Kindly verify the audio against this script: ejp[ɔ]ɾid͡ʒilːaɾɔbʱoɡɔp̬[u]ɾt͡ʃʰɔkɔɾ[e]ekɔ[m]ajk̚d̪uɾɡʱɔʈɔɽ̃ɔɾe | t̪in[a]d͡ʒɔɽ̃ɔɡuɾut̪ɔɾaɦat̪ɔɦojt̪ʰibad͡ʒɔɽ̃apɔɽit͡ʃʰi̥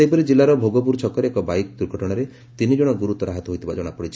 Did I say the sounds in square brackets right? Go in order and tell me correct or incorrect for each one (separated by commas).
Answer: correct, correct, correct, incorrect, incorrect